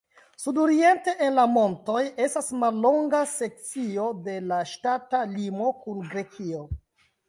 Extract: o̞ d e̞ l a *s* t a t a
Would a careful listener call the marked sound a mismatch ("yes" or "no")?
yes